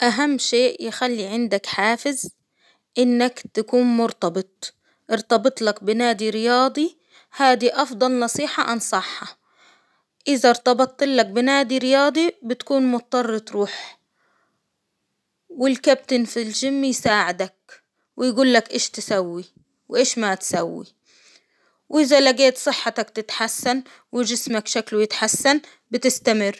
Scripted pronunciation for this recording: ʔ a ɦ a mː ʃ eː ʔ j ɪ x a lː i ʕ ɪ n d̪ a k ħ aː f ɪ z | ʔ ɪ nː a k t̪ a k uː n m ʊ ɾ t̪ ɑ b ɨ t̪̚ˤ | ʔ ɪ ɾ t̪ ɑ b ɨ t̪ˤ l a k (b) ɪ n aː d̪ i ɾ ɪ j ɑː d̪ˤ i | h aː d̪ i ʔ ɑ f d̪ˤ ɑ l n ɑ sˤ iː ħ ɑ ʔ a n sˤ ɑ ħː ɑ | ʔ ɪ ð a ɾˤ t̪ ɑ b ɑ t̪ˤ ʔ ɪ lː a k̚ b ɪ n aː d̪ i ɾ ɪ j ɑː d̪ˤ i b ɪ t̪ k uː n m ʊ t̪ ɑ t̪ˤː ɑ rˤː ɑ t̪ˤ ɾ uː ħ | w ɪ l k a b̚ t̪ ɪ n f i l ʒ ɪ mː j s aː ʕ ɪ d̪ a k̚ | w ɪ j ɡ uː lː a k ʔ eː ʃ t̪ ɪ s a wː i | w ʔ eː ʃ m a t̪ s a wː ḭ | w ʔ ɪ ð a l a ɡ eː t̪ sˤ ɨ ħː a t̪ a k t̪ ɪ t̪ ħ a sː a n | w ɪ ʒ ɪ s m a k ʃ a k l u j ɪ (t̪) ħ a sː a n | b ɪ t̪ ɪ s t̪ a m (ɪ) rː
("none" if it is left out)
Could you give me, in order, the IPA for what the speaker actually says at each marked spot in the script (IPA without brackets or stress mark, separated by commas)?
b, t̪, ɪ